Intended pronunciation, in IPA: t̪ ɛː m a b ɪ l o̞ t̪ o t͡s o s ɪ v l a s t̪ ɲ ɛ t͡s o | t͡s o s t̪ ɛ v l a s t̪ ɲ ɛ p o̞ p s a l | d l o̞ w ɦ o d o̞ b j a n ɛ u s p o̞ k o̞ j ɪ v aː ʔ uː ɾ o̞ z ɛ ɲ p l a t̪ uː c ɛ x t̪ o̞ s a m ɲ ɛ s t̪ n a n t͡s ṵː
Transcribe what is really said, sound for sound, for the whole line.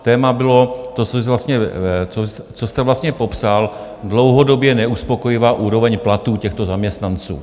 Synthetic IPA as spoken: t̪ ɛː m a b ɪ l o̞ t̪ o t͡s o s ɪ v l a s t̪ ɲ ɛ t͡s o | t͡s o s t̪ ɛ v l a s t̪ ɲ ɛ p o̞ p s a l | d l o̞ w ɦ o d o̞ b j ɛ n ɛ u s p o̞ k o̞ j ɪ v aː ʔ uː ɾ o̞ v ɛ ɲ p l a t̪ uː c ɛ x t̪ o̞ z a m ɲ ɛ s t̪ n a n t͡s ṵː